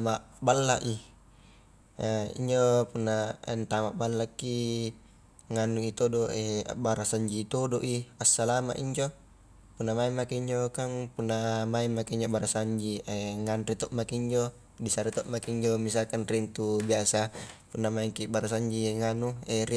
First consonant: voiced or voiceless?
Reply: voiced